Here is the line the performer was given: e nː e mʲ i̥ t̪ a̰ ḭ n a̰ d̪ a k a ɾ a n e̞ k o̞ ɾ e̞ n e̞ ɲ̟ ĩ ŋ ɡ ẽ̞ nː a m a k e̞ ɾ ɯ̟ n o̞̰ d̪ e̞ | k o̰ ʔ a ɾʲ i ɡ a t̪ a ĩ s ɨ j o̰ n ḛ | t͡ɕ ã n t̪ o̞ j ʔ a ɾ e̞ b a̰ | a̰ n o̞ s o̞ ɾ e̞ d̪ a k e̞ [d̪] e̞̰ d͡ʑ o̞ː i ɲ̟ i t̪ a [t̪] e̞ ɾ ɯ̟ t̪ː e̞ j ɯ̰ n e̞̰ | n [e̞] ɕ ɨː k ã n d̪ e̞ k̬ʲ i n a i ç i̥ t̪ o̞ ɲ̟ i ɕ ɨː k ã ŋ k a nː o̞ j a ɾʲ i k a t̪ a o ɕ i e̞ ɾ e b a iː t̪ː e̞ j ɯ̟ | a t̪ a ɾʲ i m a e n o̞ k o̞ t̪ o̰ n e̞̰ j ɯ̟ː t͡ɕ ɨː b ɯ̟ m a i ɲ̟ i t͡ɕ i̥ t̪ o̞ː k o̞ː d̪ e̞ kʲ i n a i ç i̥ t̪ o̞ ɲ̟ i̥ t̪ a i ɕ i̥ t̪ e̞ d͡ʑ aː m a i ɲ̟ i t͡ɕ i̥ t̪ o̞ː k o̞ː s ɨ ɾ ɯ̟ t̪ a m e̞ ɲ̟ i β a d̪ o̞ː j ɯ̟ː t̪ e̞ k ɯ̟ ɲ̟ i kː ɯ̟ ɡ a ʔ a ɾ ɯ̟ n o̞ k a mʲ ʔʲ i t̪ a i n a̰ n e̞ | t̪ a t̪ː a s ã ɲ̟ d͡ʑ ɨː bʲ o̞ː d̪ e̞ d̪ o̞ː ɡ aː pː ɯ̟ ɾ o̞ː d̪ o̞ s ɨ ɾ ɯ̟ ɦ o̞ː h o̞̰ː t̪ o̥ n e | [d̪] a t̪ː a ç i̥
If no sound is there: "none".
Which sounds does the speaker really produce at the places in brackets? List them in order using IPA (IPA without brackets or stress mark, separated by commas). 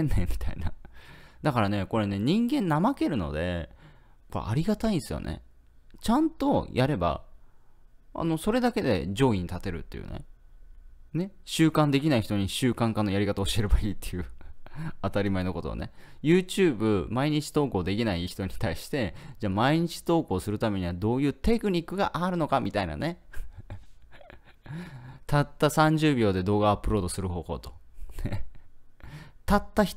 d̪, t̪, e̞, t̪